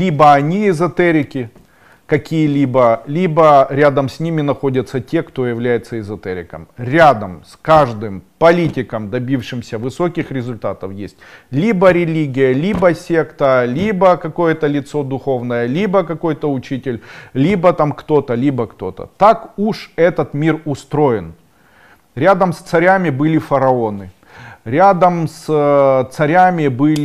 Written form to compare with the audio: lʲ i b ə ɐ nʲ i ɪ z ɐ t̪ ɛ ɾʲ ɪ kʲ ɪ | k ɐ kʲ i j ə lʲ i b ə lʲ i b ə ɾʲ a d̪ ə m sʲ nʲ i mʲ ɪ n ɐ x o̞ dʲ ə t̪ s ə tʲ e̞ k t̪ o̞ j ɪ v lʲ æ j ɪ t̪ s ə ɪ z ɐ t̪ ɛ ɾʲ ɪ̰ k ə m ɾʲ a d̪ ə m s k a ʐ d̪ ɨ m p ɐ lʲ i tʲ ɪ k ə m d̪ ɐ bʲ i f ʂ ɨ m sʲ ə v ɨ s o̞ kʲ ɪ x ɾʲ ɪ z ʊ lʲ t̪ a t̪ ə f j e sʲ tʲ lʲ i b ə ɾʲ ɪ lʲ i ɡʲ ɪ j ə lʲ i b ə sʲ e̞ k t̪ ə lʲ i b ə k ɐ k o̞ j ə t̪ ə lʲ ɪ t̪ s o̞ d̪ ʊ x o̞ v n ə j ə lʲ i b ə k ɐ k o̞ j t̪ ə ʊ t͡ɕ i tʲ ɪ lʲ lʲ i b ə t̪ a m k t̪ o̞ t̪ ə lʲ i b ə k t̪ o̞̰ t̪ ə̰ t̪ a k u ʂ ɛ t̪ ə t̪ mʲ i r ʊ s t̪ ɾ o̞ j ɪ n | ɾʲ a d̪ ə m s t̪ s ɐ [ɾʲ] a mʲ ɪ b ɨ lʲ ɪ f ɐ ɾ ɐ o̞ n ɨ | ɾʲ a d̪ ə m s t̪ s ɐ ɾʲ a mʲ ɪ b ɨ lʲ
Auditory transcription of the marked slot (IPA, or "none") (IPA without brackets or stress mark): ɾʲ